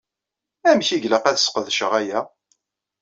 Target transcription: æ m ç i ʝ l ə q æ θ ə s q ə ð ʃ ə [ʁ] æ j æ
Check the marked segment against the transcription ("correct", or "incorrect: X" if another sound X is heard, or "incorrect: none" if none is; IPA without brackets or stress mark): correct